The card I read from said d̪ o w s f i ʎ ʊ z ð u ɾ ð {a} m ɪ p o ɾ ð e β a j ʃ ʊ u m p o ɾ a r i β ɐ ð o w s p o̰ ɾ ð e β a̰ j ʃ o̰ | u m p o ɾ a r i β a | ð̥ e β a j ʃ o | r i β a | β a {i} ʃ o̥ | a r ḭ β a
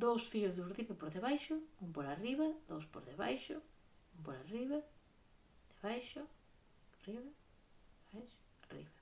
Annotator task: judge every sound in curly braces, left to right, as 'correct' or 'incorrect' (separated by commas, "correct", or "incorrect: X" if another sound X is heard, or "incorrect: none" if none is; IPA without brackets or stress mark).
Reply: incorrect: i, incorrect: j